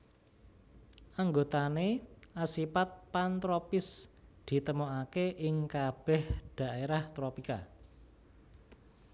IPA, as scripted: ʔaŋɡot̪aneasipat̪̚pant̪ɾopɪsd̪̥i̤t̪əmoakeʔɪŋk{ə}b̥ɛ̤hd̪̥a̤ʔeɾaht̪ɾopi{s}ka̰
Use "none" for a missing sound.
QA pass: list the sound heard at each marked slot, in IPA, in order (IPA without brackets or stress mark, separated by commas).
a, none